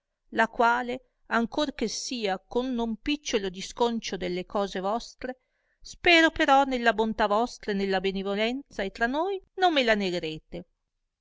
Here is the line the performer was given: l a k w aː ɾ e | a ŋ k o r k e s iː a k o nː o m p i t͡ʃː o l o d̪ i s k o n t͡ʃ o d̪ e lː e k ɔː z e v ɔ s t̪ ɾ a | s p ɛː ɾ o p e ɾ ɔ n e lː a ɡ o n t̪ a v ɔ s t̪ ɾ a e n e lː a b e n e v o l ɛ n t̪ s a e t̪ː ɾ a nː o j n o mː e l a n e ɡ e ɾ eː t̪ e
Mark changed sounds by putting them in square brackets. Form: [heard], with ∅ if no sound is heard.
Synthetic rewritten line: l a k w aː [l] e | a ŋ k o r k e s iː a k o nː o m p i t͡ʃː o l o d̪ i s k o n t͡ʃ o d̪ e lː e k ɔː z e v ɔ s t̪ ɾ [e] | s p ɛː ɾ o p e ɾ ɔ n e lː a [b] o n t̪ a v ɔ s t̪ ɾ a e n e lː a b e n e v o l ɛ n t̪ s a e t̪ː ɾ a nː o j n o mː e l a n e ɡ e ɾ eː t̪ e